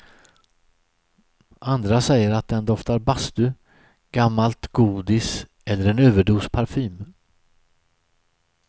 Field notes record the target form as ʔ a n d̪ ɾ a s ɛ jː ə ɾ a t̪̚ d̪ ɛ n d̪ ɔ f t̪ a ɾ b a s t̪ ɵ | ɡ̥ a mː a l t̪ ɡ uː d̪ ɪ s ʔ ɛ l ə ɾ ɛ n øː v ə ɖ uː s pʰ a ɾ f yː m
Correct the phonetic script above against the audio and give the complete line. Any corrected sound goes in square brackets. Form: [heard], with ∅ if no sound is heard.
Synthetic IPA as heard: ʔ a n d̪ ɾ a s ɛ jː ə ɾ a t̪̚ d̪ ɛ n d̪ ɔ f t̪ a ɾ b a s t̪ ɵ | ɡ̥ a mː a l t̪ ɡ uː d̪ ɪ s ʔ ɛ [lː] ə ɾ ɛ n øː v ə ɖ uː s pʰ a ɾ f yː m